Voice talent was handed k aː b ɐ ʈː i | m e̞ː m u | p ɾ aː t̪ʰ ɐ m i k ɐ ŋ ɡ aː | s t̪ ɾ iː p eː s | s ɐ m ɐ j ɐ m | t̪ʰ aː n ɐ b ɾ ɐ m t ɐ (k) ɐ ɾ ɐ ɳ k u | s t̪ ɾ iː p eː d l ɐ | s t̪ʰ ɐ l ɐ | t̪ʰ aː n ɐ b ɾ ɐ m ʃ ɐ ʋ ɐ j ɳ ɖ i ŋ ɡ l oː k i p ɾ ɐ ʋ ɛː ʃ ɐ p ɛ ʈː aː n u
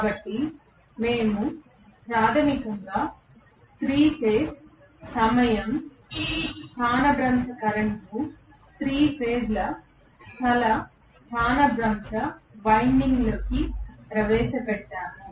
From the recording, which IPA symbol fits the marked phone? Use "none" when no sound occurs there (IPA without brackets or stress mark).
k